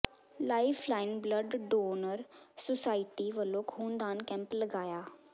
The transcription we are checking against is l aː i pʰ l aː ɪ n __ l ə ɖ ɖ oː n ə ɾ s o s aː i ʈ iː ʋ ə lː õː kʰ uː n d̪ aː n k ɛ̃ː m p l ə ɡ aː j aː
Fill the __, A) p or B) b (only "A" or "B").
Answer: B